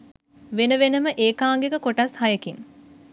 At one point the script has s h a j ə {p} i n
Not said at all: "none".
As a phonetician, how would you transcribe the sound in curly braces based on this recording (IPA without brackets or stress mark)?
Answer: k